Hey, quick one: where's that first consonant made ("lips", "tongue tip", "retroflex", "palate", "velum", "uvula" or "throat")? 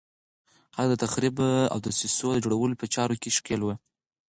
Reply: throat